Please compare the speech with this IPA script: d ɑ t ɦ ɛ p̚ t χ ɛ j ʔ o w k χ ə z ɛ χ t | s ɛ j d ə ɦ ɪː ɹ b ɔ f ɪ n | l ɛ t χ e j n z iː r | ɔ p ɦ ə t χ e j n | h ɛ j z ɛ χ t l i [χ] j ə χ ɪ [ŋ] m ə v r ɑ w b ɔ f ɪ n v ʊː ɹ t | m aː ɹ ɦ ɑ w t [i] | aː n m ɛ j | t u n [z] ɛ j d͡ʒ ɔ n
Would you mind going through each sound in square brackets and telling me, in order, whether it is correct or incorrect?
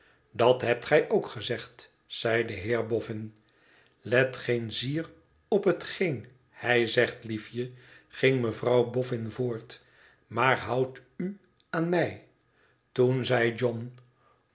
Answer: incorrect, correct, incorrect, correct

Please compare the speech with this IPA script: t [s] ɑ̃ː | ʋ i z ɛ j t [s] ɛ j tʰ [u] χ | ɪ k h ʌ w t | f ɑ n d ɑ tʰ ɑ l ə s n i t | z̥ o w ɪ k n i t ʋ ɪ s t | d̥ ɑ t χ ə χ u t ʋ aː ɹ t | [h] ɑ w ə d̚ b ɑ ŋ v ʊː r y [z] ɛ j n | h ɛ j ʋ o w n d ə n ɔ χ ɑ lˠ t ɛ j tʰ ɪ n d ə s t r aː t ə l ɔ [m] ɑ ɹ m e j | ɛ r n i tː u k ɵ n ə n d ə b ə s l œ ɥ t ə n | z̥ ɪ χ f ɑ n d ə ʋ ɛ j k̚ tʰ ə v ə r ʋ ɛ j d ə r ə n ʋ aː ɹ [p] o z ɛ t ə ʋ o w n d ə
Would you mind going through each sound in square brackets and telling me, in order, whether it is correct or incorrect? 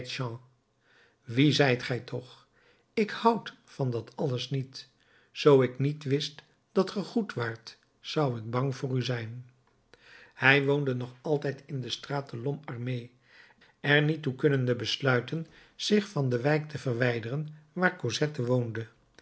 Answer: incorrect, incorrect, incorrect, incorrect, correct, correct, incorrect

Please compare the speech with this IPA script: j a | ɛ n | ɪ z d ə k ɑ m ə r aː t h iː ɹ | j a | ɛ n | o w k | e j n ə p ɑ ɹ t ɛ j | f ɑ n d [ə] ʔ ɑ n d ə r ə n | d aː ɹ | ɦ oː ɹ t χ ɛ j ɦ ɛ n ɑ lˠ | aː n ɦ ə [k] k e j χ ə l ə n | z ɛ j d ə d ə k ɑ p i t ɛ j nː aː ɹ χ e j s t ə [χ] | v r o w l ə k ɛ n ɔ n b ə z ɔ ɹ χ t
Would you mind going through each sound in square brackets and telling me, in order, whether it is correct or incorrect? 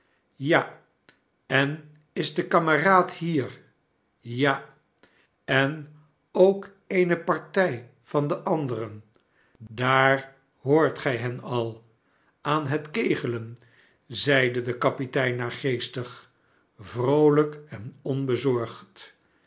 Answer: correct, incorrect, correct

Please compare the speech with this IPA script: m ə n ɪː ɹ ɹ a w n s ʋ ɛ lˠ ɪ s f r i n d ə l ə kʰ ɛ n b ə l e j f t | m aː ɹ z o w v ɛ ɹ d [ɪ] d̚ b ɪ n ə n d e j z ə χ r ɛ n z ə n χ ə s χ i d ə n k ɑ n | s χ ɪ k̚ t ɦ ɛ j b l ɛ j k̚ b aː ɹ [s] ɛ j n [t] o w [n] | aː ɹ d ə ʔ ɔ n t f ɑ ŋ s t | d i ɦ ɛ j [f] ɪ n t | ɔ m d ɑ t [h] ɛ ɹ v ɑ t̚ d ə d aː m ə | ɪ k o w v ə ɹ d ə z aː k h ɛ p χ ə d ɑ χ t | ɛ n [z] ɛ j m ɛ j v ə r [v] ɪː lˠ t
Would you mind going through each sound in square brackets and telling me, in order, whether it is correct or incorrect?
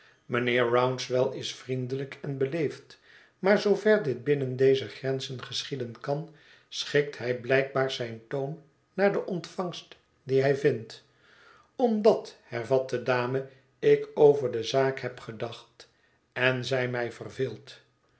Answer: correct, incorrect, correct, incorrect, incorrect, correct, correct, correct

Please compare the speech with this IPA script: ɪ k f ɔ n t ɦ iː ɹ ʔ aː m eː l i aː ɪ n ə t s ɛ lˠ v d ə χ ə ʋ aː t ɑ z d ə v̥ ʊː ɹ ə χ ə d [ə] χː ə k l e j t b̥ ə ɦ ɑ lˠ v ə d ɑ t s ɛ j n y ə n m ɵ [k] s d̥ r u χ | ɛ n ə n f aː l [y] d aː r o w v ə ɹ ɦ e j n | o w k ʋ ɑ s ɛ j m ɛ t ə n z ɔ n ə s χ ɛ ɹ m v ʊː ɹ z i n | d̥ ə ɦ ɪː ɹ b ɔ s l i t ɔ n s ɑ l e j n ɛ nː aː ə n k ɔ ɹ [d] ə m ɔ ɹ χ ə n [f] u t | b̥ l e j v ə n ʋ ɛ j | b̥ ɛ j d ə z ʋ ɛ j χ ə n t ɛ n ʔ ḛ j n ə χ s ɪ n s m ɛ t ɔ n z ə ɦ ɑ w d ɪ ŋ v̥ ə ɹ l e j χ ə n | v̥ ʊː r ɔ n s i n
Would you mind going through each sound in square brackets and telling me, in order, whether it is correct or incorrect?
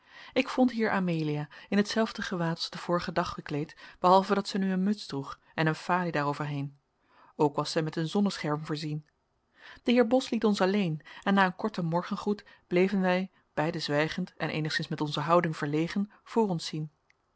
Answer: incorrect, incorrect, incorrect, incorrect, incorrect

